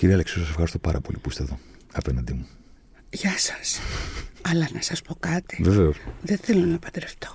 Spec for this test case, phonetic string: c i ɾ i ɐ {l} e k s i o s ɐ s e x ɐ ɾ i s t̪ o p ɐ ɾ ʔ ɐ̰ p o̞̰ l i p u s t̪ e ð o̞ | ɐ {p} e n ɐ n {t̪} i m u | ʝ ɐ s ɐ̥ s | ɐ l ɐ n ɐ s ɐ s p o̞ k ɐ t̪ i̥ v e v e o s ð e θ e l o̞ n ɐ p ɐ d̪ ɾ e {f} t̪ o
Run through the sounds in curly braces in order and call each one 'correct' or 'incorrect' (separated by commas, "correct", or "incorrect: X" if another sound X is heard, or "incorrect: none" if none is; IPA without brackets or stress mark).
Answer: correct, correct, incorrect: d̪, correct